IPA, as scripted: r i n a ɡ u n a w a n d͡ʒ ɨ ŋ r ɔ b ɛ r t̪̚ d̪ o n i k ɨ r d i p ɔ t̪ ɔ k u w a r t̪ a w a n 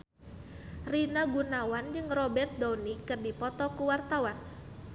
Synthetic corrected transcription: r i n a ɡ u n a w a n d͡ʒ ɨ ŋ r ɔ b ɛ r t̪̚ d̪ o n i k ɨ r d i p ɔ t̪ ɔ k u w a r t̪ a w a n